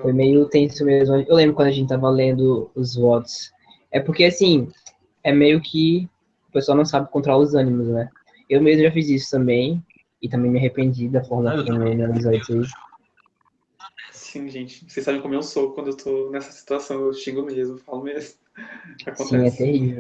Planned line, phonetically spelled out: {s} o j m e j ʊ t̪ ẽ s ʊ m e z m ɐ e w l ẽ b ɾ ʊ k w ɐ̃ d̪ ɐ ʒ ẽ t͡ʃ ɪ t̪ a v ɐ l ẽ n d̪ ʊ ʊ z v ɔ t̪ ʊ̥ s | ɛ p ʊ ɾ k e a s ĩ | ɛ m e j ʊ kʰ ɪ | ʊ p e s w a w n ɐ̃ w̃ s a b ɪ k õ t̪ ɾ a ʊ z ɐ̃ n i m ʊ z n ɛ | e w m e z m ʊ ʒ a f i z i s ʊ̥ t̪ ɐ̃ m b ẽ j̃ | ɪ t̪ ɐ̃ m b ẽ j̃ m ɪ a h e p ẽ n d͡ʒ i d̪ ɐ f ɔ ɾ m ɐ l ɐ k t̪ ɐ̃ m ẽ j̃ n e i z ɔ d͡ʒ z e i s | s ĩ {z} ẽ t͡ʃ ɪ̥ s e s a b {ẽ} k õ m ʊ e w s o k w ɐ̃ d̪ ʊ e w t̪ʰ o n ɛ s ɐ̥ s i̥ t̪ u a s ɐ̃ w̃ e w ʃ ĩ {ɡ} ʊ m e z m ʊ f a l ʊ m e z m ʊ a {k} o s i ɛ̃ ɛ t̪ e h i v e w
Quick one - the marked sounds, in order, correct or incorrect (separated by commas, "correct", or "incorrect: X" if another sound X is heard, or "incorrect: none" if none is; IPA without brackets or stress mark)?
incorrect: f, incorrect: ʒ, correct, correct, correct